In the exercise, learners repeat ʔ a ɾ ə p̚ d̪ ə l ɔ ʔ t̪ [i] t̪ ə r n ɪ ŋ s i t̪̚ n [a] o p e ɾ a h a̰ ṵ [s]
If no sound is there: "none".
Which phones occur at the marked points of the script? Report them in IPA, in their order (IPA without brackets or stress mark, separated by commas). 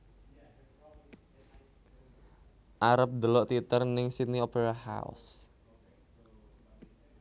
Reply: i, i, s